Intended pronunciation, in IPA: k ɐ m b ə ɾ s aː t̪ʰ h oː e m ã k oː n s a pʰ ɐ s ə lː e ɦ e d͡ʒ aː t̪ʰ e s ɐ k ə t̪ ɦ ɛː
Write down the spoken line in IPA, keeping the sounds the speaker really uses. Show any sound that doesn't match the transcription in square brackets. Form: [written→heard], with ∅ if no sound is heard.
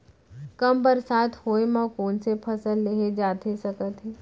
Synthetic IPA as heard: k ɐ m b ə ɾ s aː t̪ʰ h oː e m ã k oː n s [a→e] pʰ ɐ s ə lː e ɦ e d͡ʒ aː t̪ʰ e s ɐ k ə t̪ ɦ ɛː